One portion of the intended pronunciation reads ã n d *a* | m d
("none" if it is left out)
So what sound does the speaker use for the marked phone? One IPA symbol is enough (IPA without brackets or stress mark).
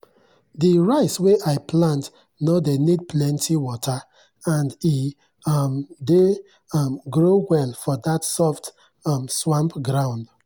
i